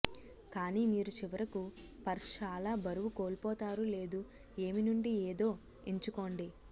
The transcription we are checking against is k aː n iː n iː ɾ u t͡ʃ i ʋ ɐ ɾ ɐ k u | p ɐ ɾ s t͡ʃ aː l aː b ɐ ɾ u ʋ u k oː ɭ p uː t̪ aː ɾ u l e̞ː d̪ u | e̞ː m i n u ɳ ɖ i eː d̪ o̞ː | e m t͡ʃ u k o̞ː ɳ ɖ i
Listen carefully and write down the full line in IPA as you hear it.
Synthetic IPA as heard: k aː n iː m iː ɾ u t͡ʃ i ʋ ɐ ɾ ɐ k u | p ɐ ɾ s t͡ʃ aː l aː b ɐ ɾ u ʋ u k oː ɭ p ɔː t̪ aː ɾ u l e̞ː d̪ u | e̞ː m i n u ɳ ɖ i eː d̪ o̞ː | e ɲ t͡ʃ u k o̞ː ɳ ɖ i